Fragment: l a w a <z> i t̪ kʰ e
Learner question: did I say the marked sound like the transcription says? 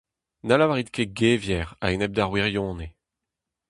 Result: no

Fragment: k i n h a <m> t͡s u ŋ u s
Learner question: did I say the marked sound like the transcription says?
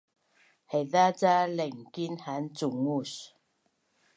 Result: no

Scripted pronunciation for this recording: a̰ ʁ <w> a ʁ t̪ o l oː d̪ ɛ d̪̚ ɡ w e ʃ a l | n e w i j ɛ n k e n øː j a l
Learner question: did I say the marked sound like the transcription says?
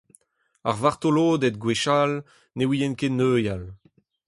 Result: no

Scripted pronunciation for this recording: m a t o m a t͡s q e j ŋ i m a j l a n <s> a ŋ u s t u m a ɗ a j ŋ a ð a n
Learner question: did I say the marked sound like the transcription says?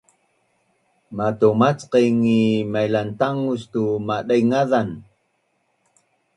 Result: no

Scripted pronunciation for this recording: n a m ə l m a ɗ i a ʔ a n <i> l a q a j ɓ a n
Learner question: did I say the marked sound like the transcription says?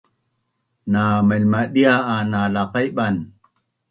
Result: no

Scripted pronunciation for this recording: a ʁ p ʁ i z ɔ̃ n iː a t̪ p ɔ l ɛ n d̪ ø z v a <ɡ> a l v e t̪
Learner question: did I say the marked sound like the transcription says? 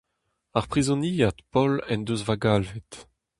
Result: yes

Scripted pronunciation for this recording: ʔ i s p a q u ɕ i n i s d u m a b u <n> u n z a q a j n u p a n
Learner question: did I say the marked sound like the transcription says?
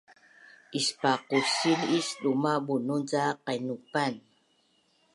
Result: yes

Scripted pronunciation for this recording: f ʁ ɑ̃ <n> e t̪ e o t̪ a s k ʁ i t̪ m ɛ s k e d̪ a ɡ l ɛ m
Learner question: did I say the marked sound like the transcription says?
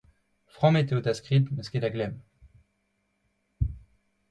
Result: no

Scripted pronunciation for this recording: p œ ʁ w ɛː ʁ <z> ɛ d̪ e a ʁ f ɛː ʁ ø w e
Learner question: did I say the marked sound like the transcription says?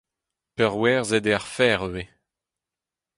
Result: yes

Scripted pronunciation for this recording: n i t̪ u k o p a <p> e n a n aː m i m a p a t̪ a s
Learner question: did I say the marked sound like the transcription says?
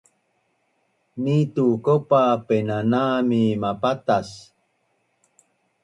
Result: yes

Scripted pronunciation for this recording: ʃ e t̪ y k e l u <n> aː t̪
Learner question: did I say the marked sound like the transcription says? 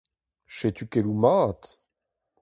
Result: no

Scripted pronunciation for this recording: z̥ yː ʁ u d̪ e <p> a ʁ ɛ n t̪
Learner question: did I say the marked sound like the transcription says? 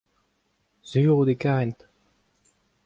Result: no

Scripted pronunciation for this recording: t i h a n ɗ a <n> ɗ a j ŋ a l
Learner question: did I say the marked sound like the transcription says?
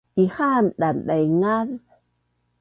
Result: yes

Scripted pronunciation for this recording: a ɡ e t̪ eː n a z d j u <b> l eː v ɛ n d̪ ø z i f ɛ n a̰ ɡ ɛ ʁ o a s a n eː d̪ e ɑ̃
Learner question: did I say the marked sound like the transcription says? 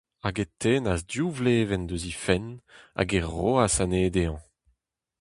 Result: no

